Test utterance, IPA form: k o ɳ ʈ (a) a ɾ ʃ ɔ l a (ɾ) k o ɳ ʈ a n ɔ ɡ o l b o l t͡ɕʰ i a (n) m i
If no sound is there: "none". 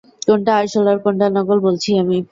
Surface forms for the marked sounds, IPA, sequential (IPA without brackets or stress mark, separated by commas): a, ɾ, none